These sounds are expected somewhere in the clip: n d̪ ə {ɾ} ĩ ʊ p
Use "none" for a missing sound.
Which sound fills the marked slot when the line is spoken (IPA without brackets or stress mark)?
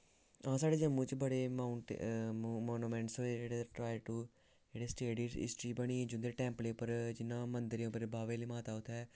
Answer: ɾ